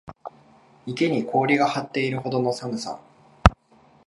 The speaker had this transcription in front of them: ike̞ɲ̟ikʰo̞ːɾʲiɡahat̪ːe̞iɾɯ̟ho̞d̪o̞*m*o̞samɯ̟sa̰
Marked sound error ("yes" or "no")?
yes